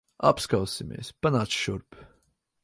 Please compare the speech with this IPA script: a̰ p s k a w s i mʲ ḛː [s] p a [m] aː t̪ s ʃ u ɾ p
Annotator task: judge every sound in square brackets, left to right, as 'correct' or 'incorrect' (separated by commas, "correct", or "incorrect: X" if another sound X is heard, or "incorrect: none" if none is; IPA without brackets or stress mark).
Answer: correct, incorrect: n